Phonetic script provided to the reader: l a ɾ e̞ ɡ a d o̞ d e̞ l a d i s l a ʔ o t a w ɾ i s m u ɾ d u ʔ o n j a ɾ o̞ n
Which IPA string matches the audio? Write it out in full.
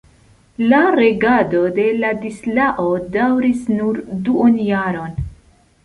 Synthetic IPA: l a ɾ e̞ ɡ a d o̞ d e̞ l a d i s l a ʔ o d a w ɾ i s n u ɾ d u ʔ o n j a ɾ o̞ n

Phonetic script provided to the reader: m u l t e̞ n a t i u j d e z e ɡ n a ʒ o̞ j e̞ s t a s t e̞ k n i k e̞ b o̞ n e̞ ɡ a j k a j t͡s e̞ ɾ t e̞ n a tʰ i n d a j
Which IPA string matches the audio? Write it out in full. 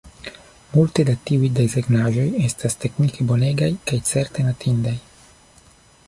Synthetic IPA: m u l t e̞ d a t i u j d e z e ɡ n a ʒ o̞ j e̞ s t a s t e̞ k n i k e̞ b o̞ n e̞ ɡ a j k a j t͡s e̞ ɾ t e̞ n a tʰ i n d a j

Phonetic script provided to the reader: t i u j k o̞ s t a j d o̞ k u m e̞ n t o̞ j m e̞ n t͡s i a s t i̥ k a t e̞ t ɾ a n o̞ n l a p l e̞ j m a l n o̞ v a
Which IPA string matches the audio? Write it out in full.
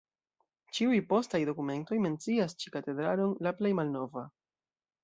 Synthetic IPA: t͡ʃ i u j p o̞ s t a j d o̞ k u m e̞ n t o̞ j m e̞ n t͡s i a s t͡ʃ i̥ k a t e̞ d ɾ a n o̞ n l a p l e̞ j m a l n o̞ v a

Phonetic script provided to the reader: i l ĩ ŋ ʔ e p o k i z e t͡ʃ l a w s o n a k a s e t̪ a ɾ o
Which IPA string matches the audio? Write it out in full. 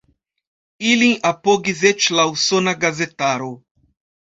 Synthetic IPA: i l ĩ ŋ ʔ a p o ɡ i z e t͡ʃ l a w s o n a ɡ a z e t̪ a ɾ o

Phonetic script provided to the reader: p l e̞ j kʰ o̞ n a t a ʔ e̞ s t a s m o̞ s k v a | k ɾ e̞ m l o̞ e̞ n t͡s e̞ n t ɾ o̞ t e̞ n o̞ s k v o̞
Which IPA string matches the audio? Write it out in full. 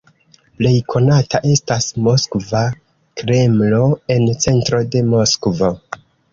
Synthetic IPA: p l e̞ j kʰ o̞ n a t a ʔ e̞ s t a s m o̞ s k v a | k ɾ e̞ m l o̞ e̞ n t͡s e̞ n t ɾ o̞ d e̞ m o̞ s k v o̞

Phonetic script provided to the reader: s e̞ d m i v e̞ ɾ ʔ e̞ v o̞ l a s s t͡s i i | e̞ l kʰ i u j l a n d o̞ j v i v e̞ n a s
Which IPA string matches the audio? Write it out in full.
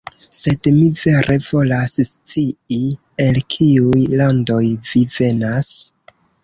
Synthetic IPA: s e̞ d m i v e̞ ɾ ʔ e̞ v o̞ l a s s t͡s i i | e̞ l kʰ i u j l a n d o̞ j v i v e̞ n a s

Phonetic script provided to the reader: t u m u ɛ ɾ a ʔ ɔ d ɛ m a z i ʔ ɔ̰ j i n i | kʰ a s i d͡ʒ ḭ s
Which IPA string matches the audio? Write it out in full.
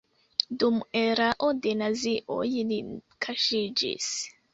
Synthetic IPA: d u m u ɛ ɾ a ʔ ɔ d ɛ n a z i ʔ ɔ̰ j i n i | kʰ a ʃ i d͡ʒ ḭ s

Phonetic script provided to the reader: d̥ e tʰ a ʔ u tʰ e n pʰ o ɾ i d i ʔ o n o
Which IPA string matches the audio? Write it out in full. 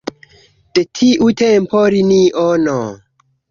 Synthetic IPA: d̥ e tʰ i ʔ u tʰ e m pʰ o ɾ i n i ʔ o n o

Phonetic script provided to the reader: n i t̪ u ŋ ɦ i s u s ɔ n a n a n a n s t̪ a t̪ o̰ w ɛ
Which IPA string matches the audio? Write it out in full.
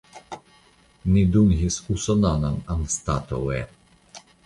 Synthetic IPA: n i d̪ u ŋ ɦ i s u s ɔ n a n a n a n s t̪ a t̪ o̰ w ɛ

